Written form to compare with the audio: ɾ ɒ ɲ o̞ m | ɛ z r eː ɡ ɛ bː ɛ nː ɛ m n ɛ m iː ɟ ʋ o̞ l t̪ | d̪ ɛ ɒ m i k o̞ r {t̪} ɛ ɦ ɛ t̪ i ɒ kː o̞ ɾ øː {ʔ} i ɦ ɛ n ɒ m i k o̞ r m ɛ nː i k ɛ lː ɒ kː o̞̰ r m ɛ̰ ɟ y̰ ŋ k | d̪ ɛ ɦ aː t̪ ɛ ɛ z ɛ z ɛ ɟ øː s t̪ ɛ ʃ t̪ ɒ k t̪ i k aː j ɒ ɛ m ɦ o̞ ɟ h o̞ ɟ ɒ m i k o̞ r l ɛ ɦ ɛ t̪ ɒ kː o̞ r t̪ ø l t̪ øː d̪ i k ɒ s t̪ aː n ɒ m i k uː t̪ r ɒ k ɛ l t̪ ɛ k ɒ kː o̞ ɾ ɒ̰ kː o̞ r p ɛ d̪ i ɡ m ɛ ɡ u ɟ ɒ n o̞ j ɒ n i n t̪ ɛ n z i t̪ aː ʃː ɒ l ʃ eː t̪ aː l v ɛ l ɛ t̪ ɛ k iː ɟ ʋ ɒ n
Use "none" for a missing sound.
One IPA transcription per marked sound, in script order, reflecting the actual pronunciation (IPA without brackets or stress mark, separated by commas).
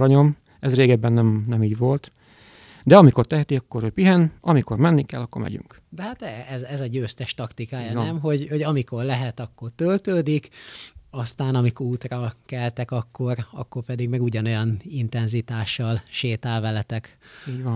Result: t̪, p